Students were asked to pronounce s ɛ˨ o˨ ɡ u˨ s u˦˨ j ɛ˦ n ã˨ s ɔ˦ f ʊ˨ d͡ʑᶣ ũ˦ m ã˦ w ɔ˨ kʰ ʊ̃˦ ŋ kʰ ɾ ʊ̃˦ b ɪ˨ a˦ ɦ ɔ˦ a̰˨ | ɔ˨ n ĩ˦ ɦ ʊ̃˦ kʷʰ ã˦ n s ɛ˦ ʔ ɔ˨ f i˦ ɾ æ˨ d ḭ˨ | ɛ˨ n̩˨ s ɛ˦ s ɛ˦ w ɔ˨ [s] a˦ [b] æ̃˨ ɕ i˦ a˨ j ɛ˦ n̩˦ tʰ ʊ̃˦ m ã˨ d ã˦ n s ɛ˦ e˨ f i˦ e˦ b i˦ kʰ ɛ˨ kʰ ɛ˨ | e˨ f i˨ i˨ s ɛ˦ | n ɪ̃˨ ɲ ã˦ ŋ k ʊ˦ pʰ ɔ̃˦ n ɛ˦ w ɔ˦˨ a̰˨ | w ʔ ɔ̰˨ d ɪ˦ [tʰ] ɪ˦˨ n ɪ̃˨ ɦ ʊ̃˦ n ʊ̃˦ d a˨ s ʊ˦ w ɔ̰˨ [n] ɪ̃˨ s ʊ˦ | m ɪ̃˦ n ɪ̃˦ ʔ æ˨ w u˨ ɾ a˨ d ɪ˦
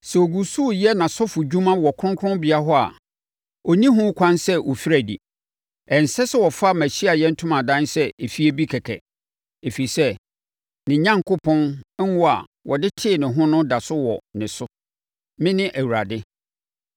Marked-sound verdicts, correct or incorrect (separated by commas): incorrect, incorrect, correct, correct